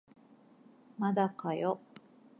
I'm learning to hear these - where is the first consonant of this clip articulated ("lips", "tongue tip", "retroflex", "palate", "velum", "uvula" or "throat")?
lips